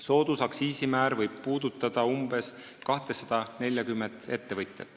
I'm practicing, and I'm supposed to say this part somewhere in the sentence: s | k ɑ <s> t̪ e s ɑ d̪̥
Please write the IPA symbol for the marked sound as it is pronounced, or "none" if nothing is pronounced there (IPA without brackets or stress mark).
h